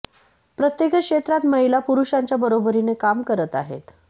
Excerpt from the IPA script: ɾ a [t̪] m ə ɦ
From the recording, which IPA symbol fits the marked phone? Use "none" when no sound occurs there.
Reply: t̪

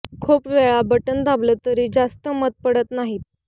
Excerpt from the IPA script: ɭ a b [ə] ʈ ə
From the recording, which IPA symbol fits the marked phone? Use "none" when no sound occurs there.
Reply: ə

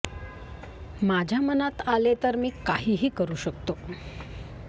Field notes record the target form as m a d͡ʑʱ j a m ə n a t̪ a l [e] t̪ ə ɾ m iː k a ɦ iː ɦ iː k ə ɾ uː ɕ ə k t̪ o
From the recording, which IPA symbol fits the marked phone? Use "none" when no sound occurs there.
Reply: e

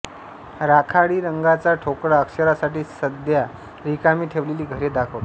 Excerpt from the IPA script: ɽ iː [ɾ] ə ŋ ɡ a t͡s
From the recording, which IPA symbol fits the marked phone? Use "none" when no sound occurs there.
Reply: ɾ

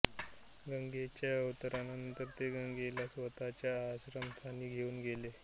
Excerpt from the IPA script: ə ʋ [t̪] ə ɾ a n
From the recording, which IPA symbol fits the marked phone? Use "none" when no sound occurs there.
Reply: t̪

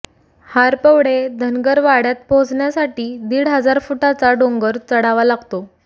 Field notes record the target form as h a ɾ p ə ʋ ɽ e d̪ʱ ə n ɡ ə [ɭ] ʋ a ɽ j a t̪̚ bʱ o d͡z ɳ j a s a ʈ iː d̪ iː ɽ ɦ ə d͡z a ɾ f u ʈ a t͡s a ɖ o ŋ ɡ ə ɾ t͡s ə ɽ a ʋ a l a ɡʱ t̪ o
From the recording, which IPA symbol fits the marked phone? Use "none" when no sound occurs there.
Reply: ɾ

